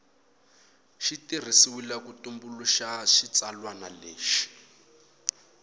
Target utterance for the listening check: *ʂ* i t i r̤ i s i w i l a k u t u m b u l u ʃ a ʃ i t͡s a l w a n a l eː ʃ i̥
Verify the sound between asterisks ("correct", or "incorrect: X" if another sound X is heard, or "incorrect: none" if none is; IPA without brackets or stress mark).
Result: incorrect: ʃ